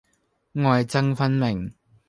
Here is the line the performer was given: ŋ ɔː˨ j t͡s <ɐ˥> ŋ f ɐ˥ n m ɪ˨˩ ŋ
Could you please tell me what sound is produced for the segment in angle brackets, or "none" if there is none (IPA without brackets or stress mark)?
ɐ˥